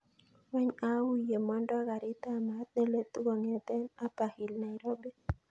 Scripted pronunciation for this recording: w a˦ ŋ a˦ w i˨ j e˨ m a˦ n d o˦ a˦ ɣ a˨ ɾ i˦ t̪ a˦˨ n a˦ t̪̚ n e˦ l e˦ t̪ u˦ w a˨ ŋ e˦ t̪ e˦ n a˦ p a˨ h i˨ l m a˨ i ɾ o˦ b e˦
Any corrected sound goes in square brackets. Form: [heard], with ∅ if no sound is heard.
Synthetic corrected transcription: w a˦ [ɲ] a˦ w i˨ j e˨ m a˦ n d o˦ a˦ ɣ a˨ ɾ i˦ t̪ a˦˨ [m] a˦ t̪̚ n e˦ l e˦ t̪ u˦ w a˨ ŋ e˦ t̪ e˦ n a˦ p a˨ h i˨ l [n] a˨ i ɾ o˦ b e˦